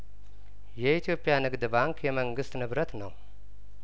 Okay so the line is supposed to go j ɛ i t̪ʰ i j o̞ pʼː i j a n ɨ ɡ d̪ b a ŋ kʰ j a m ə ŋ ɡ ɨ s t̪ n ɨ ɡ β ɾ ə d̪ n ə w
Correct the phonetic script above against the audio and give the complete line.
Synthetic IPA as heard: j ɛ i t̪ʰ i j o̞ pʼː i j a n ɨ ɡ d̪ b a ŋ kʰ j ɛ m ə ŋ ɡ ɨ s t̪ n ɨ β ɾ ə t̪ n ə w